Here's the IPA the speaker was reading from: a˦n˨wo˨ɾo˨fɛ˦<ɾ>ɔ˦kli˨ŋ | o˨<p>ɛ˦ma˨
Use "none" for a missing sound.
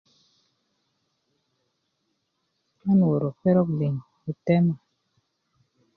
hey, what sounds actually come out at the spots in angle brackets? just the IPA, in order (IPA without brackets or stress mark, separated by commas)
ɾ, t